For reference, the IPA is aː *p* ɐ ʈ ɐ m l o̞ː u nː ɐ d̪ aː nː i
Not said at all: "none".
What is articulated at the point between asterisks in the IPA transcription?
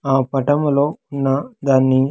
p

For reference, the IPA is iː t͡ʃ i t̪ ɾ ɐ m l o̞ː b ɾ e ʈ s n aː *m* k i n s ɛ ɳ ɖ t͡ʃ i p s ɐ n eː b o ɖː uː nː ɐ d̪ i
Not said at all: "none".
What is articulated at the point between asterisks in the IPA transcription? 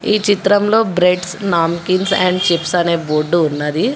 m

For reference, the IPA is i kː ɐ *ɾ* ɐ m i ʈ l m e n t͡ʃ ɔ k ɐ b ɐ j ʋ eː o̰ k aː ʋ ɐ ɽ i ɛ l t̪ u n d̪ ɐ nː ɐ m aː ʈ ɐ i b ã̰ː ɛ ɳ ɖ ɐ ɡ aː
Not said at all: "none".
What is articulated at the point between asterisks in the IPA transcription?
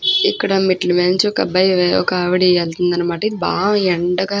ɽ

